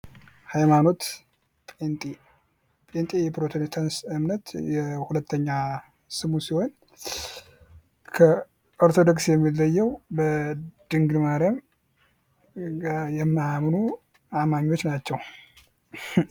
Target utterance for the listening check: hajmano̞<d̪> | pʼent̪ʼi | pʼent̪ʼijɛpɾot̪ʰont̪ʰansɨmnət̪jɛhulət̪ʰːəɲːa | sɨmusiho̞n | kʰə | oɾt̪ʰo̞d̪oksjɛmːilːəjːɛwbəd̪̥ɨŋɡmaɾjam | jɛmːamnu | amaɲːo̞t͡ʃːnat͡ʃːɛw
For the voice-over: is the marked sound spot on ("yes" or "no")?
no